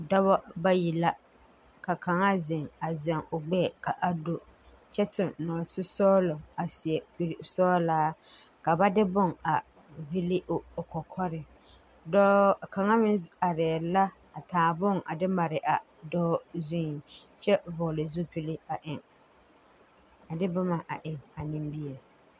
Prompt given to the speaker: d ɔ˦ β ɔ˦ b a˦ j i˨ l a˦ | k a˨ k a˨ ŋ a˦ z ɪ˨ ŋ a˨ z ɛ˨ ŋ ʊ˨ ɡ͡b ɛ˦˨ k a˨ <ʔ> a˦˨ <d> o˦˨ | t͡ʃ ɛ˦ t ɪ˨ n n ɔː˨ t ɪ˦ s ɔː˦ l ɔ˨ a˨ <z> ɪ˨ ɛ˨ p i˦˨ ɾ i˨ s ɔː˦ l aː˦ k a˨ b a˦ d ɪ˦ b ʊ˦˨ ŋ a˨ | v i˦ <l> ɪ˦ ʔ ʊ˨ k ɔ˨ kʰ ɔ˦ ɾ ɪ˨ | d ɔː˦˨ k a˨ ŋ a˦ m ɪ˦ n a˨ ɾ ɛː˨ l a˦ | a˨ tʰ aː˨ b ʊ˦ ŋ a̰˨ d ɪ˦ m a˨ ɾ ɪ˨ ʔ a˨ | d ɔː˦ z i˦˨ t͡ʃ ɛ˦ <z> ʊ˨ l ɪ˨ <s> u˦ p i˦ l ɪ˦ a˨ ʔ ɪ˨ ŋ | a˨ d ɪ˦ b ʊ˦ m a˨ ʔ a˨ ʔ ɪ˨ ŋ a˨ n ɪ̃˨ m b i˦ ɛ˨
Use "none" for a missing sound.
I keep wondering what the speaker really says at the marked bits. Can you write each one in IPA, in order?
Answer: ʔ, d, s, l, v, z

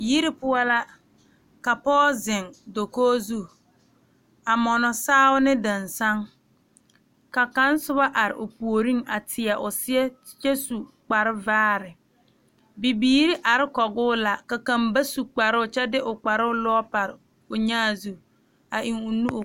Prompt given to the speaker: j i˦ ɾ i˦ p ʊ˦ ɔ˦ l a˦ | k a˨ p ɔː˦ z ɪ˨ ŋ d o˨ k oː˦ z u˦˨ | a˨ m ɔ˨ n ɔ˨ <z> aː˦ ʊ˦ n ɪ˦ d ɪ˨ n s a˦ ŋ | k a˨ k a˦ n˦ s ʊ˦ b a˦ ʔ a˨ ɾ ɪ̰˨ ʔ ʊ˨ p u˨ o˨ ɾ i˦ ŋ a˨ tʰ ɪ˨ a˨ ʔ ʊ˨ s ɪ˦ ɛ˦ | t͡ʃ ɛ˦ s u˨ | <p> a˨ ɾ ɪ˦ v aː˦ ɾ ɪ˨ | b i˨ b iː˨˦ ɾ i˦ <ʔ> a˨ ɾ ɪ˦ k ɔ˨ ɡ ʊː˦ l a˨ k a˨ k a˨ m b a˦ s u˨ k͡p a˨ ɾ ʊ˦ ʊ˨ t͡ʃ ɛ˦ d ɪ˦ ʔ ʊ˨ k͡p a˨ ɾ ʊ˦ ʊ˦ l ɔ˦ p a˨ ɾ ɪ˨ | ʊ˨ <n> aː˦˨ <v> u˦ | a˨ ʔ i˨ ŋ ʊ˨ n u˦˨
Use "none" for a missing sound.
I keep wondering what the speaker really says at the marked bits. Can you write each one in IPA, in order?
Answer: s, k͡p, ʔ, ɲ, z

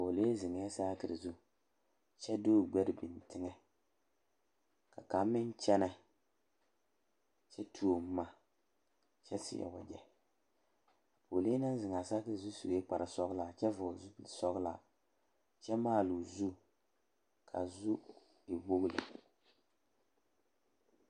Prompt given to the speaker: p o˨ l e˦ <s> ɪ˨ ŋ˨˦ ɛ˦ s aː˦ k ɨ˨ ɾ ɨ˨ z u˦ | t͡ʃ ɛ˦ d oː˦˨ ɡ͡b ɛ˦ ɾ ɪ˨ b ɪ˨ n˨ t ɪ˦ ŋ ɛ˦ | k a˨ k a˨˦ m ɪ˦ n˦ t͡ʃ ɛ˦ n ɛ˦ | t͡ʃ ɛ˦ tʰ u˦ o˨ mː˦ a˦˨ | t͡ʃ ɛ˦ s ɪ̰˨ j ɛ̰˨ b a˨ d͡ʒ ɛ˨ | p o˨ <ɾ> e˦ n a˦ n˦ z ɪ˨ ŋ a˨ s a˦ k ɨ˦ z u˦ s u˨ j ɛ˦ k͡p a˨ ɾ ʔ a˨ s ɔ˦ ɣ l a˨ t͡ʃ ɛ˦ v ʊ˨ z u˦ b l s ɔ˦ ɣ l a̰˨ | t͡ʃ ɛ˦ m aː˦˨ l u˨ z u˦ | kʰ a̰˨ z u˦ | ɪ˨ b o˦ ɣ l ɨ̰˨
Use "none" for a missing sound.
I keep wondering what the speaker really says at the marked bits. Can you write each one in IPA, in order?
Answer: z, l

